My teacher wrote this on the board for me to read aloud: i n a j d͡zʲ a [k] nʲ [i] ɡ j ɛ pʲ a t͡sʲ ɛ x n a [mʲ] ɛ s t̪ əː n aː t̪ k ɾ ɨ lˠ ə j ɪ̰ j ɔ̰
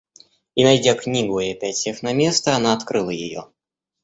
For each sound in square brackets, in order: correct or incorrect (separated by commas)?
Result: correct, correct, correct